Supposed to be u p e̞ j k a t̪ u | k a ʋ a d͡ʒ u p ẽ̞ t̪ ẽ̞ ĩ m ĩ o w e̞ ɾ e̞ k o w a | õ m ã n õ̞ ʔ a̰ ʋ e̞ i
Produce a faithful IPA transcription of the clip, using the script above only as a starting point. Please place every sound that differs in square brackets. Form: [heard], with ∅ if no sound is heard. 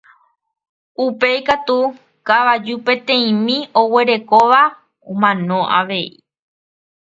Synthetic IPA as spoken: u p e̞ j k a t̪ u | k a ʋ a d͡ʒ u p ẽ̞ t̪ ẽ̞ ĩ m ĩ o w e̞ ɾ e̞ k o [ʋ] a | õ m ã n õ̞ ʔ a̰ ʋ e̞ i